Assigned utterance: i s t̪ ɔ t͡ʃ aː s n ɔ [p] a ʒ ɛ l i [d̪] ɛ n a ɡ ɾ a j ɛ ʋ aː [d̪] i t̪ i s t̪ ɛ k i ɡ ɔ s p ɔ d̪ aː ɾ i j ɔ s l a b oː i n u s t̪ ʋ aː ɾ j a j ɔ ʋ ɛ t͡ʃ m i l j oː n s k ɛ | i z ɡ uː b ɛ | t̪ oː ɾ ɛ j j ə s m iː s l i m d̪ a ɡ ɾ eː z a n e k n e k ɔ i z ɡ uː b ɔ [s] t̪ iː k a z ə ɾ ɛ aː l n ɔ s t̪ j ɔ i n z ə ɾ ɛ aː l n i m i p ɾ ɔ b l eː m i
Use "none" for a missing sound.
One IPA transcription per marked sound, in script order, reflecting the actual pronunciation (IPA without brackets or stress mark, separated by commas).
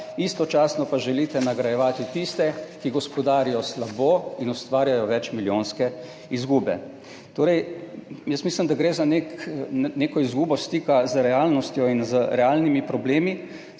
p, t̪, t̪, s